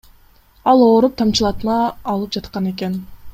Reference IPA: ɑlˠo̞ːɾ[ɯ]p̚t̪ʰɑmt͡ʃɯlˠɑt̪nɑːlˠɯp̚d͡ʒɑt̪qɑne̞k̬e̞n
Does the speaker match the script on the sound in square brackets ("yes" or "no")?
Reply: no